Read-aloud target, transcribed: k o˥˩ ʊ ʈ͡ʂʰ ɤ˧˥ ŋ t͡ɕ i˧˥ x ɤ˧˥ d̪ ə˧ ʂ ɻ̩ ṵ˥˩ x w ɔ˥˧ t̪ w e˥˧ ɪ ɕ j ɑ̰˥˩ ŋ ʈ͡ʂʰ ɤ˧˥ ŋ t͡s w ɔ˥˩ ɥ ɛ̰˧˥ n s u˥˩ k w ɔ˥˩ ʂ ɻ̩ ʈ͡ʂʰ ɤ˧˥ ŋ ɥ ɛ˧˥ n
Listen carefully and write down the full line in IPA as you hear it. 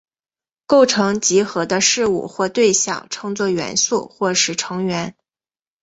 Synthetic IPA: k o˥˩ ʊ ʈ͡ʂʰ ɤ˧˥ ŋ t͡ɕ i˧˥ x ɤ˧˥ d̪ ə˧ ʂ ɻ̩ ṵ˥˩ x w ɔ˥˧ t̪ w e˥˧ ɪ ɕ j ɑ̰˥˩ ŋ ʈ͡ʂʰ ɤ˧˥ ŋ t͡s w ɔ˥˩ ɥ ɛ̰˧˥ n s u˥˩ x w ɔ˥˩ ʂ ɻ̩ ʈ͡ʂʰ ɤ˧˥ ŋ ɥ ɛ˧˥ n